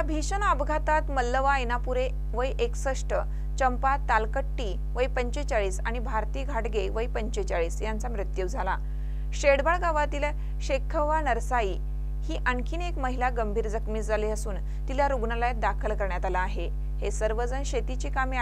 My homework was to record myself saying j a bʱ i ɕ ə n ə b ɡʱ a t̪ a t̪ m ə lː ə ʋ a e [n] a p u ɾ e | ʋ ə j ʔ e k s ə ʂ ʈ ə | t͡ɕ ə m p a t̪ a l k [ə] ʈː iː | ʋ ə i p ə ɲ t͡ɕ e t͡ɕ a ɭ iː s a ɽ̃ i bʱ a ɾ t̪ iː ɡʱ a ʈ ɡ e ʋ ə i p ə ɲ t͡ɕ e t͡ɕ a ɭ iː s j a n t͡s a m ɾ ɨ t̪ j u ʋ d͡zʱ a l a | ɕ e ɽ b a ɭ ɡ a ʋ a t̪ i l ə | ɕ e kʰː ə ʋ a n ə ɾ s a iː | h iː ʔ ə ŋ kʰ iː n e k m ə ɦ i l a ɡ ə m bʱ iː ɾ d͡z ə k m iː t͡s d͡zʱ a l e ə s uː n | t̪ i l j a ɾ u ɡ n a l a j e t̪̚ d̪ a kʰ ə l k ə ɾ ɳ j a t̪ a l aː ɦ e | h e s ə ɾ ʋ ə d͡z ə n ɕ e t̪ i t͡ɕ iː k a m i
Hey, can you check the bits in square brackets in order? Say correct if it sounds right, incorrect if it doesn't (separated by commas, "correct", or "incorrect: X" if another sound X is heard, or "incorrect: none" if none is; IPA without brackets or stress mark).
correct, correct